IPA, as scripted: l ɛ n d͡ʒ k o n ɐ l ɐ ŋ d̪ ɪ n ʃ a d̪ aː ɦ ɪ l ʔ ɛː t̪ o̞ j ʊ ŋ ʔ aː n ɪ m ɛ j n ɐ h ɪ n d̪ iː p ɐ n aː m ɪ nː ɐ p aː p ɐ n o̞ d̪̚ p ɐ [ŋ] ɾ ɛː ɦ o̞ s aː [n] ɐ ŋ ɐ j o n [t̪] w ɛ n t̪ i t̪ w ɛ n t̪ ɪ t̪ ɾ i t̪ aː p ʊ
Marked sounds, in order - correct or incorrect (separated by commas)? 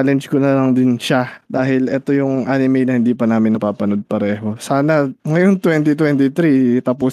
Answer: incorrect, correct, correct